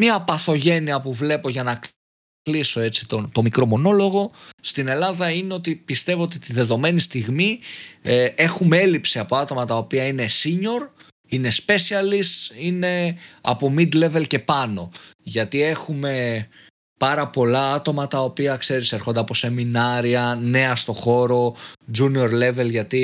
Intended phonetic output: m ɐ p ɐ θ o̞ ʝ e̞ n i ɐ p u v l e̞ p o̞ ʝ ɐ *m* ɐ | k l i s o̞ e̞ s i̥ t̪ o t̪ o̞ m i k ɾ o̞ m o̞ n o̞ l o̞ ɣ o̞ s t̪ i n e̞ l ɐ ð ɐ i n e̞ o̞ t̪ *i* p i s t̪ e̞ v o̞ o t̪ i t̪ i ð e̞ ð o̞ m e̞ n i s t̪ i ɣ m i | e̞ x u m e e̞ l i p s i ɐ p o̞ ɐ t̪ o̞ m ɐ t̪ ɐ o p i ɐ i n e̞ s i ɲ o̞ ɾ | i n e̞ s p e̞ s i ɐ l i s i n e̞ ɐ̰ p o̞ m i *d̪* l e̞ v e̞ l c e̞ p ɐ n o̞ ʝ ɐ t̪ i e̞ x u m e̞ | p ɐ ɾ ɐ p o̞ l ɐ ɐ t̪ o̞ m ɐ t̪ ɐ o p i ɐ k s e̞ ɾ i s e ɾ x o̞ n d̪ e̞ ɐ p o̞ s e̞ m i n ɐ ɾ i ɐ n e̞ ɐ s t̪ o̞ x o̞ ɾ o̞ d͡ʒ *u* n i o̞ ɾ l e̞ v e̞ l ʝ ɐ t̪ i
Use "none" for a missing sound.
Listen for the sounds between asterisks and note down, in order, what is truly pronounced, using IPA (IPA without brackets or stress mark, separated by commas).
n, i, d̪, u